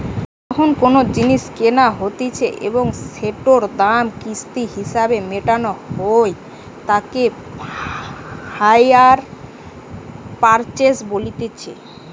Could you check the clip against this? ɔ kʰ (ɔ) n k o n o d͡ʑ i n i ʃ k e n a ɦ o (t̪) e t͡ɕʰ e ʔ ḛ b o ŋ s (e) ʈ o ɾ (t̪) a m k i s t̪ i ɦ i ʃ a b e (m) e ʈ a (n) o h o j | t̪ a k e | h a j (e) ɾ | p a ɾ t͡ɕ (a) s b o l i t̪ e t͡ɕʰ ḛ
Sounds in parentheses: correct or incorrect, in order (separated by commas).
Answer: incorrect, correct, correct, incorrect, correct, correct, incorrect, incorrect